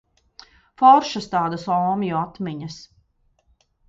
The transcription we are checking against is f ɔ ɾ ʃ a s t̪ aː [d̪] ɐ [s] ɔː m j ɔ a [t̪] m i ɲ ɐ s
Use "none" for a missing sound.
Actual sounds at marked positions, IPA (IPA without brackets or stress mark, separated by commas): d̪, s, t̪